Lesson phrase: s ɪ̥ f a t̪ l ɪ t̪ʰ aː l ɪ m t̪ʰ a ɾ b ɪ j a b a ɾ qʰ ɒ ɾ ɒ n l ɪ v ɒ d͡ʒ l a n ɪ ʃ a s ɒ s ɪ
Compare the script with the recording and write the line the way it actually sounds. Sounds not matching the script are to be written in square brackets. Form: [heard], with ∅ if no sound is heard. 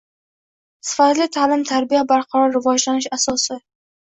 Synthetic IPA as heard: s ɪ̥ f a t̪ l ɪ t̪ʰ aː l ɪ m t̪ʰ a ɾ b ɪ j a b a ɾ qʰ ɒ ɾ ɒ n [ɾ] ɪ v ɒ d͡ʒ l a n ɪ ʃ a s ɒ s ɪ